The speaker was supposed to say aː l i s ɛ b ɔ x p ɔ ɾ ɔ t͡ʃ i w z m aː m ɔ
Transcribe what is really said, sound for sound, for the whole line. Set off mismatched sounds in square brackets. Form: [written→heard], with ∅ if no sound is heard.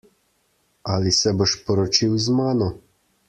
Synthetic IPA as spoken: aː l i s ɛ b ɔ [x→ʃ] p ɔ ɾ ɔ t͡ʃ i w z m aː [m→n] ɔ